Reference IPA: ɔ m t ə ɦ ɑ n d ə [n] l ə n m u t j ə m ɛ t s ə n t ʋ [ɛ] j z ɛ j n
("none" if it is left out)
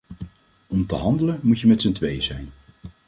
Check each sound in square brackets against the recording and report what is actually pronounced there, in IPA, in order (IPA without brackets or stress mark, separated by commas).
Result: none, e